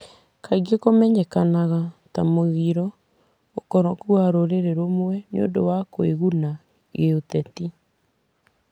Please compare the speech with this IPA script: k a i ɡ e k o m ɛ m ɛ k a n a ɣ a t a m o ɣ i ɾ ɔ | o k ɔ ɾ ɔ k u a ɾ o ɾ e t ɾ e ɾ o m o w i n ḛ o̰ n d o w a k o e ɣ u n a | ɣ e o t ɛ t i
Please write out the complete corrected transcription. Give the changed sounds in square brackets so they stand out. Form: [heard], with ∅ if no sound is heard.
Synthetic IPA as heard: k a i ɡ e k o m ɛ [ɲ] ɛ k a n a ɣ a t a m o ɣ i ɾ ɔ | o k ɔ ɾ ɔ k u a ɾ o ɾ e [∅] ɾ e ɾ o m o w [ɛ] n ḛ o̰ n d o w a k o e ɣ u n a | ɣ e o t ɛ t i